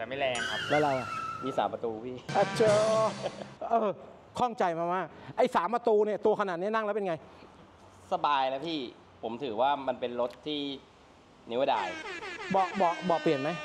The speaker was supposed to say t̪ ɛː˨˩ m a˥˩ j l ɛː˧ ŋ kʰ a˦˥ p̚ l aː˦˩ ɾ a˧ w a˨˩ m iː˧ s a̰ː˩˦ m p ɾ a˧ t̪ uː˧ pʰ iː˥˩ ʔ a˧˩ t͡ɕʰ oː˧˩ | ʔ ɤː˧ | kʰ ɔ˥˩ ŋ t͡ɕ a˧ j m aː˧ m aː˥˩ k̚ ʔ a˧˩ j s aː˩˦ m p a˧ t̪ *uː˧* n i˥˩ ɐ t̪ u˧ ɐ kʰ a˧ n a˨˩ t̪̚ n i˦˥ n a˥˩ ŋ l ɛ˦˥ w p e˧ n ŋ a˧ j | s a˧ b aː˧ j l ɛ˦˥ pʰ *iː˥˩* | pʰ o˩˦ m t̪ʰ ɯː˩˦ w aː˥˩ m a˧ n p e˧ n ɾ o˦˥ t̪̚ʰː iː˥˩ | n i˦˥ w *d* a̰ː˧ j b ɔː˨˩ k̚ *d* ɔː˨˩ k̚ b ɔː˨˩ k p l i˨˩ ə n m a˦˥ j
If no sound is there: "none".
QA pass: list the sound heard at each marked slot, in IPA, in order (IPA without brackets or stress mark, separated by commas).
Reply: uː˧, iː˥˩, d, b